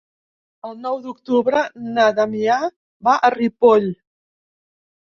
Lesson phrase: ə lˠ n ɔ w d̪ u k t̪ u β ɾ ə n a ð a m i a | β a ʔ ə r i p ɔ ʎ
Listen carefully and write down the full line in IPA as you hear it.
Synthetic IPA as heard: ə lˠ n ɔ w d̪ u k t̪ u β ɾ ə n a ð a m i a | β a ʔ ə r i p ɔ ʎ